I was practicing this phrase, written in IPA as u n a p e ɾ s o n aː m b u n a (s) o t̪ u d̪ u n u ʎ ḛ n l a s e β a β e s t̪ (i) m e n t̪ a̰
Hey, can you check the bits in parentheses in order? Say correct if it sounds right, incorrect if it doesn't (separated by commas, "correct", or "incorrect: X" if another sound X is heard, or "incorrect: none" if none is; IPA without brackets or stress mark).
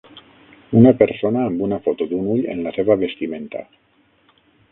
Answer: incorrect: f, correct